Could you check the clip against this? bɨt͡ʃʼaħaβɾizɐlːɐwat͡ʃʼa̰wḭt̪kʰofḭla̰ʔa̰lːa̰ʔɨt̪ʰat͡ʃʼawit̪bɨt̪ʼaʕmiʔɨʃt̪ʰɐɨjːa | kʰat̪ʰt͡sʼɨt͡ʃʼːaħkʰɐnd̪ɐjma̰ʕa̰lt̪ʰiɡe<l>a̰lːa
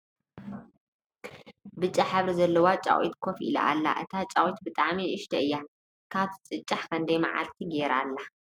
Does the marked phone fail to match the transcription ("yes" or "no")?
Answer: yes